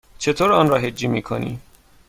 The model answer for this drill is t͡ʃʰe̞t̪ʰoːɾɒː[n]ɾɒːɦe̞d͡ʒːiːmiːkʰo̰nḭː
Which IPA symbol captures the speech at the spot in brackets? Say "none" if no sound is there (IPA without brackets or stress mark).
n